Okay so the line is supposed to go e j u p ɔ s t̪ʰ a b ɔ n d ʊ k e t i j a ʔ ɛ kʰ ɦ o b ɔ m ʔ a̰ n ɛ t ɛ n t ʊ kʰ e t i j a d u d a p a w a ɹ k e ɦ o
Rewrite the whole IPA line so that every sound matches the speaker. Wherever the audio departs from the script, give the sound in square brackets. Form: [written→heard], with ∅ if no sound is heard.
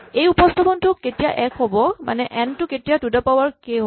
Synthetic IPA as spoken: e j u p ɔ s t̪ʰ a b ɔ n [d→t] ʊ k e t i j a ʔ ɛ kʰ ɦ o b ɔ m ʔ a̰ n ɛ [t→ʔ] ɛ n t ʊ [kʰ→k] e t i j a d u d a p a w a ɹ k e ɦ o